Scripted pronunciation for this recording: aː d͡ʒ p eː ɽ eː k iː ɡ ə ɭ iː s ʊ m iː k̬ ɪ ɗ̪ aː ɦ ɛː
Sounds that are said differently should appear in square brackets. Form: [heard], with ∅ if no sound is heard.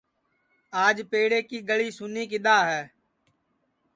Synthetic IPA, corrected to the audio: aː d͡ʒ p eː ɽ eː k iː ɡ ə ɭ iː s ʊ [n] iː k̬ ɪ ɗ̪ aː ɦ ɛː